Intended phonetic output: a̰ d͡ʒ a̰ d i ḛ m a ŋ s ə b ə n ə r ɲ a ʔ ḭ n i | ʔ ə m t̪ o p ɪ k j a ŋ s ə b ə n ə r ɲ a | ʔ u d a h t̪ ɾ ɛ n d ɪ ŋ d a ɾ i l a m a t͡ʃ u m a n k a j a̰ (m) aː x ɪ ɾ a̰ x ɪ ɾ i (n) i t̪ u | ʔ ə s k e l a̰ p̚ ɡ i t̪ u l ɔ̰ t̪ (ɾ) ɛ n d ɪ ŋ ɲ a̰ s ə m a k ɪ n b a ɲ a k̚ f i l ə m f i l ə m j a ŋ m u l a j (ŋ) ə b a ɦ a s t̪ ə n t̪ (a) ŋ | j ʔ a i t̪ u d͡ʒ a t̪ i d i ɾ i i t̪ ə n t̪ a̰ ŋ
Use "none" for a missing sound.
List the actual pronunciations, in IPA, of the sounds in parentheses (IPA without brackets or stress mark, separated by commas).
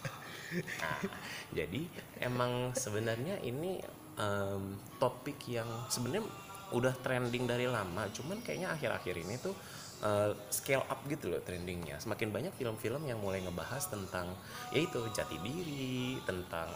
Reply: ɲ, n, ɾ, ŋ, a